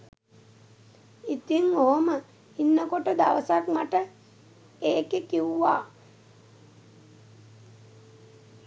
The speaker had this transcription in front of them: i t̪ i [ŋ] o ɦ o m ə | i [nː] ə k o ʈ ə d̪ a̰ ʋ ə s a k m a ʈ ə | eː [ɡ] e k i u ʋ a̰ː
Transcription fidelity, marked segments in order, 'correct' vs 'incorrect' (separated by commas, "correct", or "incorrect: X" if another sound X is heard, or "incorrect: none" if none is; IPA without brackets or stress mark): correct, correct, incorrect: k